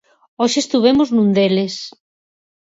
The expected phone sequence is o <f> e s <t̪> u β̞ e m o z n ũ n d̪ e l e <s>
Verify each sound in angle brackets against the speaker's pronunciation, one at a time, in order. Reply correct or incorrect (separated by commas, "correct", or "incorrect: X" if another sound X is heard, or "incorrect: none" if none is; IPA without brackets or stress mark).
incorrect: ʃ, correct, correct